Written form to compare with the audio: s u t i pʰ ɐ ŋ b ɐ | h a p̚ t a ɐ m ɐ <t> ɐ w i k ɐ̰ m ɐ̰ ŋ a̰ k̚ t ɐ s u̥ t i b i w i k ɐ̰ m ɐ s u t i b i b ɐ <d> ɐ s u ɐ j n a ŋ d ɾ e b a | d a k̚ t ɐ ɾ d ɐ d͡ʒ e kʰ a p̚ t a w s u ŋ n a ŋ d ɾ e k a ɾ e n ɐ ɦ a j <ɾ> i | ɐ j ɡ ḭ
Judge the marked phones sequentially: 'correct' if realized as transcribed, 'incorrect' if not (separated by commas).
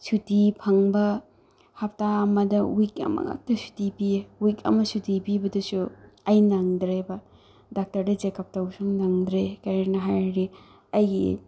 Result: incorrect, correct, correct